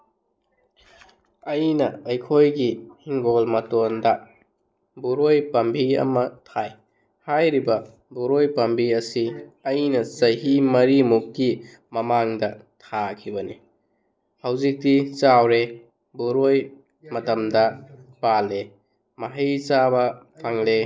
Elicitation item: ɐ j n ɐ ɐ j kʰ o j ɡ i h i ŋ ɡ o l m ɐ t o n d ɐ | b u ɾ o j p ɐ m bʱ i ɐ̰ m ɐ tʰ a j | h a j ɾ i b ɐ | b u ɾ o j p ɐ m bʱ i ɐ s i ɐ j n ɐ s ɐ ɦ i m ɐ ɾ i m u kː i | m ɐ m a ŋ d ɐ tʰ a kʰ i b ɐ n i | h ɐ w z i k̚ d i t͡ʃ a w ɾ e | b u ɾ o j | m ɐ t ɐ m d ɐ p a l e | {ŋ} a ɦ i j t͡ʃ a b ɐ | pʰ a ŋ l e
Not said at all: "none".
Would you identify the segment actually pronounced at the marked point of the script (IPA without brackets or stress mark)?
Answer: m